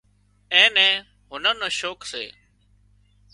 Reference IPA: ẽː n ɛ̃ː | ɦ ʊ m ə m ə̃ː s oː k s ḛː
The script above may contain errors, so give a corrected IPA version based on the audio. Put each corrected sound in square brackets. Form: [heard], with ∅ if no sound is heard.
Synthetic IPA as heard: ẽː n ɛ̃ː | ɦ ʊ [n] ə [n] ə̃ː [ʃ] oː k s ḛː